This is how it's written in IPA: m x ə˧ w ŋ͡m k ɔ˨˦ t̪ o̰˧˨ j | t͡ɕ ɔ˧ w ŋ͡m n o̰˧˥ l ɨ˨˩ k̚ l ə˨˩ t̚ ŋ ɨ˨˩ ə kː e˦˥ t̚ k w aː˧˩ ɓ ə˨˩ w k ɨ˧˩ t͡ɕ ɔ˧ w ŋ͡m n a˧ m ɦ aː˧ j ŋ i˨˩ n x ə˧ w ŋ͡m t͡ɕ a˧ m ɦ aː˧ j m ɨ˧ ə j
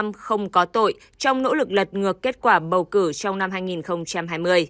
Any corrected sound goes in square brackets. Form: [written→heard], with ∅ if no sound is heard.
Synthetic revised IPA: m x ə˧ w ŋ͡m k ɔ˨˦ t̪ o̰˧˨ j | t͡ɕ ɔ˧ w ŋ͡m n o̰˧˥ l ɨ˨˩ k̚ l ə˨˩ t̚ ŋ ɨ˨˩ ə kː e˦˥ t̚ k w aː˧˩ ɓ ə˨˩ w k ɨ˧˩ t͡ɕ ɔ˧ w ŋ͡m n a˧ m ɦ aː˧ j ŋ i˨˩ n x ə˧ w ŋ͡m t͡ɕ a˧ m ɦ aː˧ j m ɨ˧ ə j